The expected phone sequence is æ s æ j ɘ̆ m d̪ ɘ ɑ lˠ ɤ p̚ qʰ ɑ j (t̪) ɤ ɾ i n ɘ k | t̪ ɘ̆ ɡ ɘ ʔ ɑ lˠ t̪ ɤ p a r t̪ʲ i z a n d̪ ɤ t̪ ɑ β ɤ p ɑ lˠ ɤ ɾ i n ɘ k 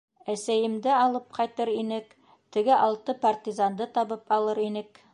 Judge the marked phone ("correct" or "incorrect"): correct